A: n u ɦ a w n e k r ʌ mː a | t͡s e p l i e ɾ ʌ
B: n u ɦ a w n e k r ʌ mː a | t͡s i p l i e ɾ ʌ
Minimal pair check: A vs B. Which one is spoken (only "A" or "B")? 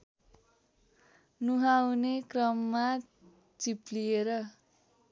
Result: B